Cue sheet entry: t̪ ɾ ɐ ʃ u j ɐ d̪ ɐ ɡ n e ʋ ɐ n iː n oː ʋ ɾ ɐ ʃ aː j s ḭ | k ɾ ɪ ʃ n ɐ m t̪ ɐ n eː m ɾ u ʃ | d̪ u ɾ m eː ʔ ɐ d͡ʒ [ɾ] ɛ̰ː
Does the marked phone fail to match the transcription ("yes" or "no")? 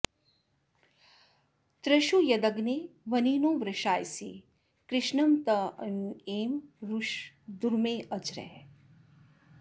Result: no